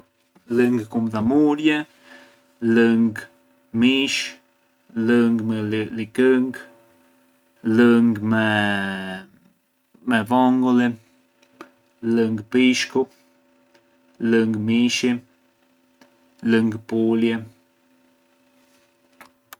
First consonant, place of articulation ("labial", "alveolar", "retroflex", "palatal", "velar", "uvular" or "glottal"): alveolar